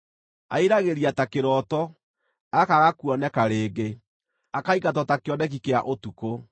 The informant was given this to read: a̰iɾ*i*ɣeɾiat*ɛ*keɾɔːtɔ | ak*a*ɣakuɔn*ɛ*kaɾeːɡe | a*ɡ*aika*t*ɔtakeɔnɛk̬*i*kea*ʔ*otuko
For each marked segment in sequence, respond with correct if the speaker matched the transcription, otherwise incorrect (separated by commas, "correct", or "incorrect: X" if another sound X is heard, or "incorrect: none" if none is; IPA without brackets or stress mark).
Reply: incorrect: a, incorrect: a, correct, correct, incorrect: k, correct, correct, correct